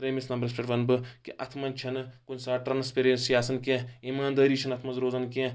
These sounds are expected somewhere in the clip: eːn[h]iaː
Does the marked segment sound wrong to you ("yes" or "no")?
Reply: yes